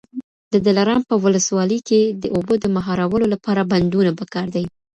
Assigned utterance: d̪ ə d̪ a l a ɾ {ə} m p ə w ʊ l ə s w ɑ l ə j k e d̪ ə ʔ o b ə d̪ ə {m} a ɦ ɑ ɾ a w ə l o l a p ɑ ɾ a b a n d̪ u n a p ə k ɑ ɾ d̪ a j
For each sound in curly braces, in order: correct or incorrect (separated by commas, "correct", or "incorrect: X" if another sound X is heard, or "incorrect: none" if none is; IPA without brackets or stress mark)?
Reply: incorrect: ɑ, correct